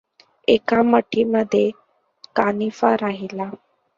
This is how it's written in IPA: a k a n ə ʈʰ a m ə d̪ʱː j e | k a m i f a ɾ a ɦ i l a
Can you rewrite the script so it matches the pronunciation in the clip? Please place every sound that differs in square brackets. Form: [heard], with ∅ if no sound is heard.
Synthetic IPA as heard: [e] k a [m] ə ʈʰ [i] m ə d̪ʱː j e | k a [n] i f a ɾ a ɦ i l a